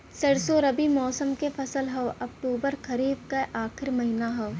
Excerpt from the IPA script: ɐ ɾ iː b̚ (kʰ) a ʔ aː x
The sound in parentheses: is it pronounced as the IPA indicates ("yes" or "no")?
no